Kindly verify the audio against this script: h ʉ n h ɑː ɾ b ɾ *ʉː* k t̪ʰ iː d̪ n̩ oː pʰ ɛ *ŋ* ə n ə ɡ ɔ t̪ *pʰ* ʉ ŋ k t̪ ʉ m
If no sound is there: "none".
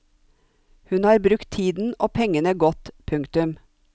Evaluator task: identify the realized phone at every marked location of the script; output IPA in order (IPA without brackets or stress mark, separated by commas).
ʉ, ŋ, pʰ